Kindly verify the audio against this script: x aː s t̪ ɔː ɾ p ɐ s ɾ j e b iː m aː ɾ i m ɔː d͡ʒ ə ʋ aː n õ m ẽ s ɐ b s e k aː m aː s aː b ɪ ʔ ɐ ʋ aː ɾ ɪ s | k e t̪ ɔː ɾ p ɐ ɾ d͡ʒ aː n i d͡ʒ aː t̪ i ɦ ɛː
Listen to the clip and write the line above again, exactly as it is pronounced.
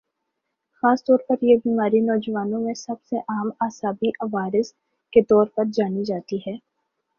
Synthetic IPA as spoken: x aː s t̪ ɔː ɾ p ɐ ɾ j e b iː m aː ɾ i n ɔː d͡ʒ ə ʋ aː n õ m ẽ s ɐ b s e ʔ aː m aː s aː b i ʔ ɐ ʋ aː ɾ ɪ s | k e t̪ ɔː ɾ p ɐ ɾ d͡ʒ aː n i d͡ʒ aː t̪ i ɦ ɛː

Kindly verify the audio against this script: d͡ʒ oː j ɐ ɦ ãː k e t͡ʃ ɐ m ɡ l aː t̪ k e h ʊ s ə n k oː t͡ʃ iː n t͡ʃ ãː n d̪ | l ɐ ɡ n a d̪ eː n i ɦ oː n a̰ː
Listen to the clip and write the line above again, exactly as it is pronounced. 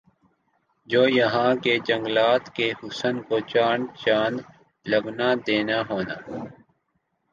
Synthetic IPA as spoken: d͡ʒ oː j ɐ ɦ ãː k e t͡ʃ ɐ ŋ ɡ l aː t̪ k e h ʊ s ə n k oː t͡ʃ aː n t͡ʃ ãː n d̪ | l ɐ ɡ n a d̪ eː n a ɦ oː n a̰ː

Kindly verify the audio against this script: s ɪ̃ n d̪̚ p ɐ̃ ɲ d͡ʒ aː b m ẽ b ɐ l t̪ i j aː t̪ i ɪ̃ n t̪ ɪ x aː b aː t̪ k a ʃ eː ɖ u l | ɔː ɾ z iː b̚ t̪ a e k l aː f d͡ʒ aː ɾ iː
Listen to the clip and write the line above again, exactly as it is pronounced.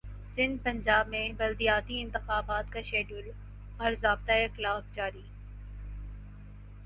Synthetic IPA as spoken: s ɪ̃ n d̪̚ p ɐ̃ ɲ d͡ʒ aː b m ẽ b ɐ l d̪ i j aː t̪ i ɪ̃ n t̪ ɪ x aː b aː t̪ k a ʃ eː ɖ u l | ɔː ɾ z aː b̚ t̪ a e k l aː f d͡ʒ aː ɾ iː

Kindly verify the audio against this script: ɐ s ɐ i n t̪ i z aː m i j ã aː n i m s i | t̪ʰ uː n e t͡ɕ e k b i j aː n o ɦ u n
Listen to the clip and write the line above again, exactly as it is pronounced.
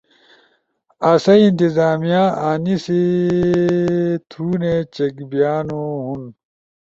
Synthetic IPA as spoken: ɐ s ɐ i n t̪ i z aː m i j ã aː n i s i | t̪ʰ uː n e t͡ɕ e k b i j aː n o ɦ u n

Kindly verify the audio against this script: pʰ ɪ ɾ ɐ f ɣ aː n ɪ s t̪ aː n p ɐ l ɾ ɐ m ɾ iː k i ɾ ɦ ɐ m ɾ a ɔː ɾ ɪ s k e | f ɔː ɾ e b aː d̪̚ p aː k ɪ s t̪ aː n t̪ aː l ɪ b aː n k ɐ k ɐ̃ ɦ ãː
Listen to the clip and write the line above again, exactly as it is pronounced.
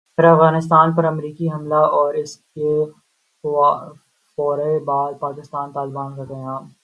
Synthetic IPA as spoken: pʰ ɪ ɾ ɐ f ɣ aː n ɪ s t̪ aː n p ɐ ɾ ɐ m ɾ iː k i ɦ ɐ m l a ɔː ɾ ɪ s k e | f ɔː ɾ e b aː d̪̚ p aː k ɪ s t̪ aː n t̪ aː l ɪ b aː n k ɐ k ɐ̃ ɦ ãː

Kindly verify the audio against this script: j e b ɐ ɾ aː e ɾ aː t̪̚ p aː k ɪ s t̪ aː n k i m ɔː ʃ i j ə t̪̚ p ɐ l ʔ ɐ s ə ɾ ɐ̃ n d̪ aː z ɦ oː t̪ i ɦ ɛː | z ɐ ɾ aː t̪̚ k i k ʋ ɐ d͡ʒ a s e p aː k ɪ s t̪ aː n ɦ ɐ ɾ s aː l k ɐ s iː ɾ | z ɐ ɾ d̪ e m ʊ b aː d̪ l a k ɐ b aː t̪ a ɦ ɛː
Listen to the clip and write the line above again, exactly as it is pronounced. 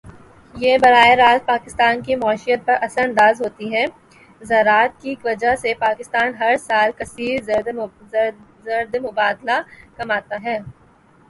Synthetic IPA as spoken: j e b ɐ ɾ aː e ɾ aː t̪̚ p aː k ɪ s t̪ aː n k i m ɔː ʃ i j ə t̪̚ p ɐ ɾ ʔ ɐ s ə ɾ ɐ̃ n d̪ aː z ɦ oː t̪ i ɦ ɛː | z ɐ ɾ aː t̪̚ k i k ʋ ɐ d͡ʒ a s e p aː k ɪ s t̪ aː n ɦ ɐ ɾ s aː l k ɐ s iː ɾ | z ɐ ɾ d̪ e m ʊ b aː d̪ l a k ɐ m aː t̪ a ɦ ɛː

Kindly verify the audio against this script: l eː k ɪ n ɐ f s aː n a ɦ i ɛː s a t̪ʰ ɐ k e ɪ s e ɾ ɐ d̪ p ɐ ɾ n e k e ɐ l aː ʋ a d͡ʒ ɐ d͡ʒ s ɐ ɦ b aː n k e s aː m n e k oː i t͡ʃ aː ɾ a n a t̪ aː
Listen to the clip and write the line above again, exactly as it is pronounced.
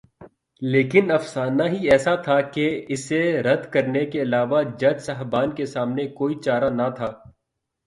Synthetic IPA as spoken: l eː k ɪ n ɐ f s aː n a ɦ i ɛː s a t̪ʰ a k e ɪ s e ɾ ɐ d̪ k ɐ ɾ n e k e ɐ l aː ʋ a d͡ʒ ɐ d͡ʒ s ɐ ɦ b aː n k e s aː m n e k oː i t͡ʃ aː ɾ a n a t̪ʰ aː

